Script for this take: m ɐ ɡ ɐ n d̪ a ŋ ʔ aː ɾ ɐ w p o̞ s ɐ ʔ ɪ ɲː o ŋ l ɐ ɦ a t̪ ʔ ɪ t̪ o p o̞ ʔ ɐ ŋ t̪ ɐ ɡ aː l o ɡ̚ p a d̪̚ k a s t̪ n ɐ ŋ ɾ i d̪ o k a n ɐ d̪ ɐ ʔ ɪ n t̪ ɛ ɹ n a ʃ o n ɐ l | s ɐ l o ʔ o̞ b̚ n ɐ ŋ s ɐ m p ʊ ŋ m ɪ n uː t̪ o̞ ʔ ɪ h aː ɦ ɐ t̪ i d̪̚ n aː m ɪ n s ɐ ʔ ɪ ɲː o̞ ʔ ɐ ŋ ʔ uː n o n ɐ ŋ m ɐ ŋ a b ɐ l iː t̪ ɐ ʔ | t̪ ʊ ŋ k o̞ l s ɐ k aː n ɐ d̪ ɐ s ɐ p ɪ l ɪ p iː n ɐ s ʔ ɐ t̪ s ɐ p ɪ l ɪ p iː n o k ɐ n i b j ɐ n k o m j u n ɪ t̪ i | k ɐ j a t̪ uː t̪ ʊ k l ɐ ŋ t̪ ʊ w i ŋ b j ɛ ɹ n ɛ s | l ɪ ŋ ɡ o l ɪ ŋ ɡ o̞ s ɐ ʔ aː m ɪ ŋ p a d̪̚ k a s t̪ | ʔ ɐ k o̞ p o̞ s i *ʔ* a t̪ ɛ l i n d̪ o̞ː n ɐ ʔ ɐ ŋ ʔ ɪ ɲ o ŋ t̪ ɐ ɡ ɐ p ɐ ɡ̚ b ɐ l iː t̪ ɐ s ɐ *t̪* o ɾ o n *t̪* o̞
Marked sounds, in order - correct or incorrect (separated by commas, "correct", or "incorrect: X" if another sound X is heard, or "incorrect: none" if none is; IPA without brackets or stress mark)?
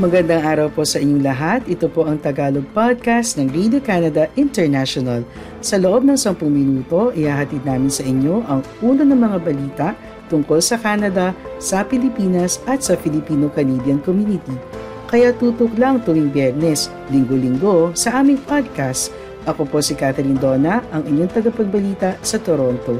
incorrect: k, correct, correct